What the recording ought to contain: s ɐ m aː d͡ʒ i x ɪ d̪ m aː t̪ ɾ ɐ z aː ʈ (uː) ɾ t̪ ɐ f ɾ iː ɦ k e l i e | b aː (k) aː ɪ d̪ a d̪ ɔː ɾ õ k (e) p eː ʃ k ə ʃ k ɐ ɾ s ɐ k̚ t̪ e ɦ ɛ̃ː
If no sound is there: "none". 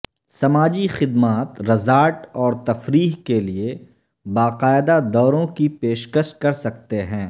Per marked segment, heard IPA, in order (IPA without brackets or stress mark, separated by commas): ɔː, q, i